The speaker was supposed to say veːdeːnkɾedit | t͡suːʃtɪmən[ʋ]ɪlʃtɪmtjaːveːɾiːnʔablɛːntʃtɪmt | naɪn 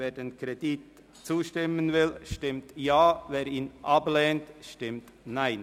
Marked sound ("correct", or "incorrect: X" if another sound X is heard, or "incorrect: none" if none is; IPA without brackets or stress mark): incorrect: v